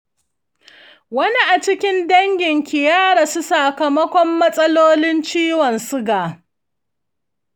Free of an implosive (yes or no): yes